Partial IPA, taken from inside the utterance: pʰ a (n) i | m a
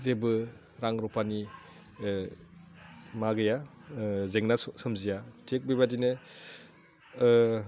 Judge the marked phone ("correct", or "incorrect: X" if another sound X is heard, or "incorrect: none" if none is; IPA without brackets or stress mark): correct